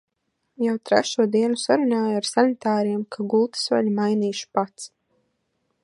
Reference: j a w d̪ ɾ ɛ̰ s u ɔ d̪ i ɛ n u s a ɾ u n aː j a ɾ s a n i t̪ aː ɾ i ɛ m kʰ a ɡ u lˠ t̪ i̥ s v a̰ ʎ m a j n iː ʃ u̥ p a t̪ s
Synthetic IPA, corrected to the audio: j a w t̪ ɾ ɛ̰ ʃ u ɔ d̪ i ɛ n u s a ɾ u n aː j a ɾ s a n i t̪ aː ɾ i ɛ m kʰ a ɡ u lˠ t̪ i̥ s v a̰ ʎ m a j n iː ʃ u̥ p a t̪ s